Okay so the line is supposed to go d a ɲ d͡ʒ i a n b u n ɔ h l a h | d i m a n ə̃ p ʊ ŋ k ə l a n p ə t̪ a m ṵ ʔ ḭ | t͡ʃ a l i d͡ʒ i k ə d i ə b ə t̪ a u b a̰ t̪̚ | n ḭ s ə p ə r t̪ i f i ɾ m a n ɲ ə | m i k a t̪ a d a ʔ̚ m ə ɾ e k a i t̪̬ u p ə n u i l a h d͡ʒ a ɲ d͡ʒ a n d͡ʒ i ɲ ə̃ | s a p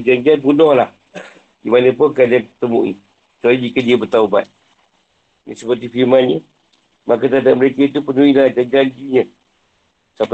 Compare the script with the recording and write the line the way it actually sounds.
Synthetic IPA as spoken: d͡ʒ a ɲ d͡ʒ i a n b u n ɔ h l a h | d i m a n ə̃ p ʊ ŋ k a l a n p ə t̪ ə m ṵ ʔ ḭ | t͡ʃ a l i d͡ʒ i k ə d i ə b ə t̪ a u b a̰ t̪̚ | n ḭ s ə p ə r t̪ i f i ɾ m a n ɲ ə | m a k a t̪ a d a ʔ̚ m ə ɾ e k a i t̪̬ u p ə n u i l a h d͡ʒ a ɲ d͡ʒ a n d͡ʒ i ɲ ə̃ | s a p